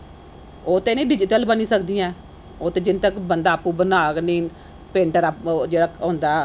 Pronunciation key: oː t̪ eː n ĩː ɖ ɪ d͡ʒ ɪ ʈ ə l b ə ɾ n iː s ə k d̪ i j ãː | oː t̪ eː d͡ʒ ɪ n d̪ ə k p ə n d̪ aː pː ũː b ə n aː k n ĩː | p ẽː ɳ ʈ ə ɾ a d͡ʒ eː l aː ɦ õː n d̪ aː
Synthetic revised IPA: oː t̪ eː n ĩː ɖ ɪ d͡ʒ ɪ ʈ ə l b ə n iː s ə k d̪ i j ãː | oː t̪ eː d͡ʒ ɪ n t̪ ə k b ə n d̪ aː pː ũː b ə n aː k n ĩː | p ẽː ɳ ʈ ə ɾ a d͡ʒ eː ɽ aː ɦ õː n d̪ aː